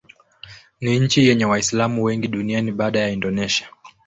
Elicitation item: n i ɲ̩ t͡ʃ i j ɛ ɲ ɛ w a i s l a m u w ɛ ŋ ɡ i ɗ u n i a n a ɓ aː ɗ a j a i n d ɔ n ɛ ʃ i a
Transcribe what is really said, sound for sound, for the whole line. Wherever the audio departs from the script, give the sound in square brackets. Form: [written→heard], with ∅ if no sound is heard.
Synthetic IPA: n i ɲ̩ t͡ʃ i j ɛ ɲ ɛ w a i s l a m u w ɛ ŋ ɡ i ɗ u n i a n [a→i] ɓ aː ɗ a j a i n d ɔ n ɛ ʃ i a

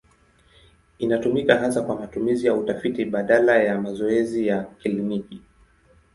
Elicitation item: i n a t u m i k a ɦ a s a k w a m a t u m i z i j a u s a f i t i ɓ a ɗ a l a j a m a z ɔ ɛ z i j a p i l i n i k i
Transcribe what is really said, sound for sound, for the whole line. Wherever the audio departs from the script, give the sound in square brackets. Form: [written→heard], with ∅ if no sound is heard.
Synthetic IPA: i n a t u m i k a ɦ a s a k w a m a t u m i z i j a u [s→t] a f i t i ɓ a ɗ a l a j a m a z ɔ ɛ z i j a [p→k] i l i n i k i

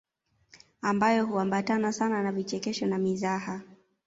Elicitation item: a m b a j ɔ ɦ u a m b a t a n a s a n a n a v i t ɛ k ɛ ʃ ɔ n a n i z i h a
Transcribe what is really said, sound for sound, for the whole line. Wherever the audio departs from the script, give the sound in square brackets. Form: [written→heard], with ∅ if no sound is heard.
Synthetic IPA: a m b a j ɔ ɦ u a m b a t a n a s a n a n a v i [t→t͡ʃ] ɛ k ɛ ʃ ɔ n a [n→m] i z [i→a] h a

